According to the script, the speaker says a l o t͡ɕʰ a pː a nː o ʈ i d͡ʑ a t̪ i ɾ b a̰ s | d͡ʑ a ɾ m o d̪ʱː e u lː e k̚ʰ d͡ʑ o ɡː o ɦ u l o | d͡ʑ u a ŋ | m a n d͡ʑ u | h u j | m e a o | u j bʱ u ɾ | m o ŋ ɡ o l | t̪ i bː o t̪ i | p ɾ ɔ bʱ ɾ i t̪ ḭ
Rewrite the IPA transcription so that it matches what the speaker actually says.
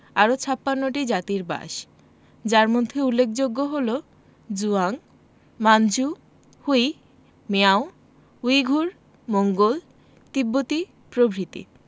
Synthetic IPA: a ɾ o t͡ɕʰ a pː a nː o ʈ i d͡ʑ a t̪ i ɾ b a̰ ʃ | d͡ʑ a ɾ m o d̪ʱː e u lː e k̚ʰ d͡ʑ o ɡː o ɦ o l o | d͡ʑ u a ŋ | m a n d͡ʑ u | h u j | m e a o | u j ɡʱ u ɾ | m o ŋ ɡ o l | t̪ i bː o t̪ i | p ɾ o bʱ ɾ i t̪ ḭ